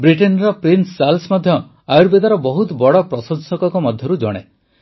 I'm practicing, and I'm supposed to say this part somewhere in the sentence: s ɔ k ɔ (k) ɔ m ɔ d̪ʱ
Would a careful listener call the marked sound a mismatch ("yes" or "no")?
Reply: no